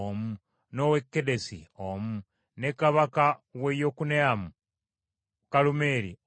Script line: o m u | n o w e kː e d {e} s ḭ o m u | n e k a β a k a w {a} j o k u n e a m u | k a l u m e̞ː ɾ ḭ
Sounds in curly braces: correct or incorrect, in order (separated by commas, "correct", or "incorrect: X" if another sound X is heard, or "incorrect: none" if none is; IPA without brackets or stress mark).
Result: correct, incorrect: e